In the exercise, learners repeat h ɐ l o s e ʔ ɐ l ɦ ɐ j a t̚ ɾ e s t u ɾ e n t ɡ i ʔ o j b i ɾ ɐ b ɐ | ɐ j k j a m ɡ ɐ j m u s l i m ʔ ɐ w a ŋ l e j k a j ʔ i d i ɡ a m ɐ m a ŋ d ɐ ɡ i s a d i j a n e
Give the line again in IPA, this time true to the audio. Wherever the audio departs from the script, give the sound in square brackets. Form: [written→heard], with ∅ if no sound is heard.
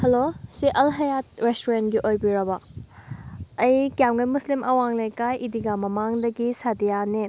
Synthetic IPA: h ɐ l o s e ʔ ɐ l ɦ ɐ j a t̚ ɾ e s t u ɾ e n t ɡ i ʔ o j b i ɾ ɐ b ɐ | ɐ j k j a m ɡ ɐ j m u s l i m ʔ ɐ w a ŋ l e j k a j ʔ i d i ɡ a m ɐ m a ŋ d ɐ ɡ i s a d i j a n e